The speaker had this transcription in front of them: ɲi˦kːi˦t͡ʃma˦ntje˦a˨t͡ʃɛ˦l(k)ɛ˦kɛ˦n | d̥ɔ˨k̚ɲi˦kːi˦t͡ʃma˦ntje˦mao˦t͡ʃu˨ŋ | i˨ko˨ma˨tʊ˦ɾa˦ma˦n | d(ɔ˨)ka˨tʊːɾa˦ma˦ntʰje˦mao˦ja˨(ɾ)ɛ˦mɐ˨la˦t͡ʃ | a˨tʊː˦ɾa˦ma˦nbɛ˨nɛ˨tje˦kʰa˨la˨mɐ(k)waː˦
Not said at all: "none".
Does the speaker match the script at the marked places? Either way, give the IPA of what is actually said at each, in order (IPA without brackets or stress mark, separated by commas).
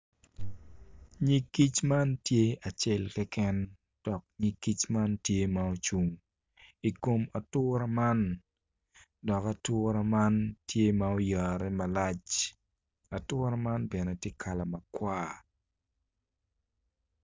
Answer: k, ɔ˨, ɾ, k